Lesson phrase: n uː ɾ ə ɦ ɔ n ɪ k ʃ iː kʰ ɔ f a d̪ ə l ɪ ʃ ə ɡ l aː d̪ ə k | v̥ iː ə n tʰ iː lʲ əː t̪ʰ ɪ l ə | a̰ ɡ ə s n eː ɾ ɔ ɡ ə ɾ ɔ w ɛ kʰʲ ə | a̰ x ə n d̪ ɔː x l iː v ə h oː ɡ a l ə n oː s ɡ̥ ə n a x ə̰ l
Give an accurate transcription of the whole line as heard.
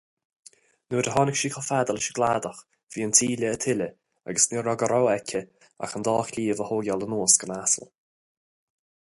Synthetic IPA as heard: n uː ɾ ə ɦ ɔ n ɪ k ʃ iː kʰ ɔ f a d̪ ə l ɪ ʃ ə ɡ l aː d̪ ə x | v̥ iː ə n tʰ iː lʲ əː t̪ʰ ɪ l ə | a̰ ɡ ə s n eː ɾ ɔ ɡ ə ɾ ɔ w ɛ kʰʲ ə | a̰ x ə n d̪ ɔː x l iː v ə h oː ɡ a l ə n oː s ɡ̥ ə n a s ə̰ l